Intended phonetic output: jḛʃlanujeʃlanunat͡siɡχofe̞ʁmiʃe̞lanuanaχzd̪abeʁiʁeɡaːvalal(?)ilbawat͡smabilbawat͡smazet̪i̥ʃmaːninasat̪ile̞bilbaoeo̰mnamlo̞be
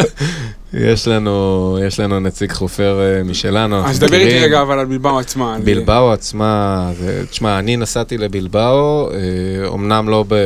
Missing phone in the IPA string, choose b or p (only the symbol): b